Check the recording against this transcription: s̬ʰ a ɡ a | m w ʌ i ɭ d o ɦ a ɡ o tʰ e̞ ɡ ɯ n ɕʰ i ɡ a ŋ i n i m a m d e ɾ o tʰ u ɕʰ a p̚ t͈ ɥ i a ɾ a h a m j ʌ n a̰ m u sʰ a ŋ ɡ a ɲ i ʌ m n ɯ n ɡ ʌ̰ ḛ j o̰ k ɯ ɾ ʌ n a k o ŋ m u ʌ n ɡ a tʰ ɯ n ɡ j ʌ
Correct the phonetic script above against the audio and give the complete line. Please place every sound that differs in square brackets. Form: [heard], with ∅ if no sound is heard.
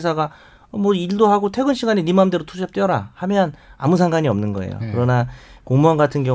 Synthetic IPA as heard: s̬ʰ a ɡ a | m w ʌ i ɭ d o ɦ a ɡ o tʰ e̞ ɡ ɯ n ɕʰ i ɡ a [ɲ] i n i m a m d e ɾ o tʰ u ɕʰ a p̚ t͈ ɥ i [ʌ] ɾ a h a m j ʌ n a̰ m u sʰ a ŋ ɡ a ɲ i ʌ m n ɯ n ɡ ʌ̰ ḛ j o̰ k ɯ ɾ ʌ n a k o ŋ m u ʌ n ɡ a tʰ ɯ n ɡ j ʌ